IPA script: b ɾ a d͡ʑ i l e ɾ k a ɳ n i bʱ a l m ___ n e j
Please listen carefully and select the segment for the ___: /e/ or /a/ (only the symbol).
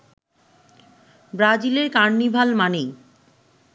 a